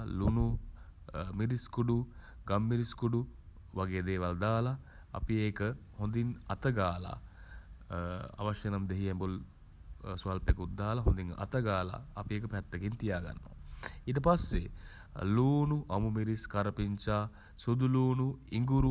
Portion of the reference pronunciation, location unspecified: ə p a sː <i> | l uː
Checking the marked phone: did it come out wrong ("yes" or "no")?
yes